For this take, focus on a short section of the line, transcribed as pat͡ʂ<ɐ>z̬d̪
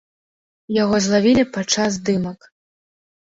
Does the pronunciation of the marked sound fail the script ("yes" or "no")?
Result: yes